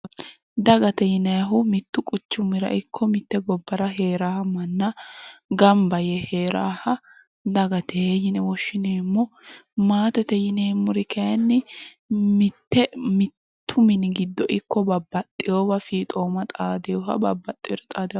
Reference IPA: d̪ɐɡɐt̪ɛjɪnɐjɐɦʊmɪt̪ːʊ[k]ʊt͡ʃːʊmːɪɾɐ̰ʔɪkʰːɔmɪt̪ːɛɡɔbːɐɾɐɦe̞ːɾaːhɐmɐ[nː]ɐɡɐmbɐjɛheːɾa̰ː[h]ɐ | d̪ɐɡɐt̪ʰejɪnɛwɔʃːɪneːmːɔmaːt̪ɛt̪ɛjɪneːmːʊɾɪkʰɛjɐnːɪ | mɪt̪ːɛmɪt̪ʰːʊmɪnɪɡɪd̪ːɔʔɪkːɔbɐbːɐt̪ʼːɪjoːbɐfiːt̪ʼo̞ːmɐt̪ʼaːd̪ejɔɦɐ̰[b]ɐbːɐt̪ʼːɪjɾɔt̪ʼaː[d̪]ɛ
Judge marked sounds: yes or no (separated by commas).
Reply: no, yes, yes, yes, yes